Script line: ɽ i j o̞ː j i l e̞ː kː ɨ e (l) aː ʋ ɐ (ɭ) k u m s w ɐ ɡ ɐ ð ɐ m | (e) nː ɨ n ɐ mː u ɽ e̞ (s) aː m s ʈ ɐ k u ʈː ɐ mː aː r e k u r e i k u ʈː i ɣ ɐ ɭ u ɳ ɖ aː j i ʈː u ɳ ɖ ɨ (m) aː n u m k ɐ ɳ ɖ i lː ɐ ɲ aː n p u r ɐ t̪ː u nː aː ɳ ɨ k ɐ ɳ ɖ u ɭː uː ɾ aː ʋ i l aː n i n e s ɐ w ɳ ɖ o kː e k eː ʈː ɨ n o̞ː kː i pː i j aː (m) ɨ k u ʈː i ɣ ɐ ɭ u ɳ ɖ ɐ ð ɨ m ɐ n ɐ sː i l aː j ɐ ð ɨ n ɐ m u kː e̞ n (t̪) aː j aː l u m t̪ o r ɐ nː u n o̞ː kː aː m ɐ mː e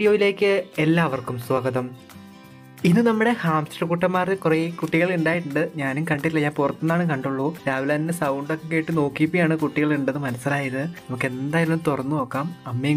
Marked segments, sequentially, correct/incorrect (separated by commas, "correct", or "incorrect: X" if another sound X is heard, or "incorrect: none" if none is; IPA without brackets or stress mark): incorrect: lː, incorrect: r, incorrect: i, incorrect: h, incorrect: ɲ, incorrect: ɳ, incorrect: d̪